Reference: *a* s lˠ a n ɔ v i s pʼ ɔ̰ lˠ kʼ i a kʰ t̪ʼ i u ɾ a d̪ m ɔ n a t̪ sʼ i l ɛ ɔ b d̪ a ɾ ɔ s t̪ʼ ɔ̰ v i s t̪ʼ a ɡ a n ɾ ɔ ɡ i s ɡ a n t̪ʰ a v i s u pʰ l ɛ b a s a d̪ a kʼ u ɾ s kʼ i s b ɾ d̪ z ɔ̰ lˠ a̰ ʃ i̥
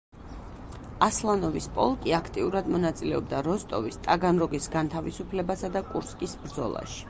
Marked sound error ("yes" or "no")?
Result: no